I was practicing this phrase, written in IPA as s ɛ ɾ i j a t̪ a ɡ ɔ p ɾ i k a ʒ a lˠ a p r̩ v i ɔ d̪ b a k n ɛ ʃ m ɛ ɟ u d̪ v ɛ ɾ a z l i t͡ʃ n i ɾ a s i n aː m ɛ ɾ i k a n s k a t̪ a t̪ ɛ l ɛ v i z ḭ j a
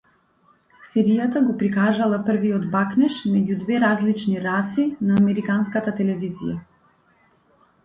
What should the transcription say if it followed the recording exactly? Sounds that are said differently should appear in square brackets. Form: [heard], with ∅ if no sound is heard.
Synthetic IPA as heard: s ɛ ɾ i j a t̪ a ɡ ɔ p ɾ i k a ʒ a lˠ a p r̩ v i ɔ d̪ b a k n ɛ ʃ m ɛ ɟ u d̪ v ɛ ɾ a z l i t͡ʃ n i ɾ a s i n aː m ɛ ɾ i k a n s k a t̪ a t̪ ɛ l ɛ v i z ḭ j a